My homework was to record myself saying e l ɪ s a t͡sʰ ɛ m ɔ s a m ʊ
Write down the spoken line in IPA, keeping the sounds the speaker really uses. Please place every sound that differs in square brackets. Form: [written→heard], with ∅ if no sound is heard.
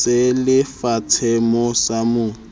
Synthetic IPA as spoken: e l ɪ [s→f] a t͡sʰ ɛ m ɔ s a m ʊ